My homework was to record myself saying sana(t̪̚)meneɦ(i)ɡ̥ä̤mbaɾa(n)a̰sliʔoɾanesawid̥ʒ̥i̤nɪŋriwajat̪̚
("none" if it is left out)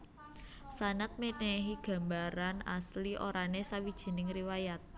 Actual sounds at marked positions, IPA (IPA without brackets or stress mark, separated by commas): t̪̚, i, n